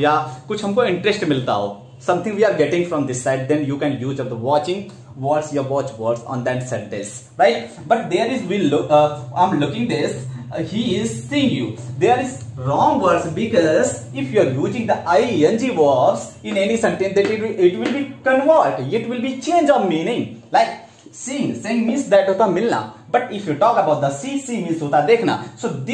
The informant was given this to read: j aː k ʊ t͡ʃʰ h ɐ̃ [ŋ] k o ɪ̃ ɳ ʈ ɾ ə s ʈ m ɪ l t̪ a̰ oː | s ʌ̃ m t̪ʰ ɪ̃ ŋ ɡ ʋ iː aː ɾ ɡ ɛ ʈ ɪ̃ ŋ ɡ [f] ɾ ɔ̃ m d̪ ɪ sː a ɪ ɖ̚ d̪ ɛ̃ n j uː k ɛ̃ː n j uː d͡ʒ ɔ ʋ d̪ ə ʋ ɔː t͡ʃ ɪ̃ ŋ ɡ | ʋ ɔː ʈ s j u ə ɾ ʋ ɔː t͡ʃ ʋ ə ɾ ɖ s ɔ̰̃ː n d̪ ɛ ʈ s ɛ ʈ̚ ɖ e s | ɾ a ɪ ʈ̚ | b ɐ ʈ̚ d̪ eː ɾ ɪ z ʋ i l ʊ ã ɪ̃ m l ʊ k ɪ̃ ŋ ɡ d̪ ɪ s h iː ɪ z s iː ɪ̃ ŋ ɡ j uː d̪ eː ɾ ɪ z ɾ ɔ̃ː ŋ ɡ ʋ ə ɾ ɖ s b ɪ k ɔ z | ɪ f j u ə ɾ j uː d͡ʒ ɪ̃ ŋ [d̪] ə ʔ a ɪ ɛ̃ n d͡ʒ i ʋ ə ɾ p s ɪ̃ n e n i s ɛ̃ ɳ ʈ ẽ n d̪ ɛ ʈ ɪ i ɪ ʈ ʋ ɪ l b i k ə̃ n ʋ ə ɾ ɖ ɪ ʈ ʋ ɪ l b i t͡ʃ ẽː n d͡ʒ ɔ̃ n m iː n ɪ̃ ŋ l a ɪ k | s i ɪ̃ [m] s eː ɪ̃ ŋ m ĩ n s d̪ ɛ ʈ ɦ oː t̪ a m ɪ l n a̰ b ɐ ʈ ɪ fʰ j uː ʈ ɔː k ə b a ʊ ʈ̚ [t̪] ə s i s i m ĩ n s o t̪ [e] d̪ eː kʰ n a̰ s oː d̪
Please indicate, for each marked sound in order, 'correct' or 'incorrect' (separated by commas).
incorrect, correct, correct, incorrect, incorrect, incorrect